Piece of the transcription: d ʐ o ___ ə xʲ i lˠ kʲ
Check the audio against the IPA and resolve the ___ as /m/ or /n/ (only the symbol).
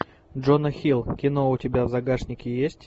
n